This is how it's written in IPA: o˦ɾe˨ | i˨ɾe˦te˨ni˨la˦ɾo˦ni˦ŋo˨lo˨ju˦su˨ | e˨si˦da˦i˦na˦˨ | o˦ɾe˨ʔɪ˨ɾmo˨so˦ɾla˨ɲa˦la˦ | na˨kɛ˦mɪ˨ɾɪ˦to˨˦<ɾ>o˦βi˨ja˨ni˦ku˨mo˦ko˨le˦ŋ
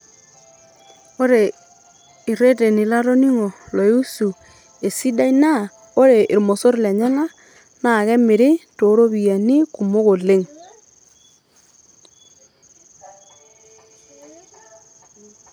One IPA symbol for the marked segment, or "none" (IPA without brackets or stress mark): ɾ